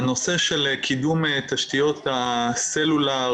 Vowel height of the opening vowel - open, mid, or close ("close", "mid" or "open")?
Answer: mid